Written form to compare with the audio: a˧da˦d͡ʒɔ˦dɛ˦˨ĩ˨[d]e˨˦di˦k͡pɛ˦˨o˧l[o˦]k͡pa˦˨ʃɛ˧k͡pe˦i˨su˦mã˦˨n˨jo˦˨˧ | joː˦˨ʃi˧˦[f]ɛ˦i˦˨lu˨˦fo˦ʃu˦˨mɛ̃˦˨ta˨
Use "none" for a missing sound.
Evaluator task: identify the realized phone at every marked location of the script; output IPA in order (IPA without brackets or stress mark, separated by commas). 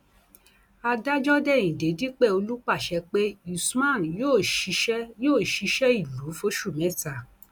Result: d, u˦, ʃ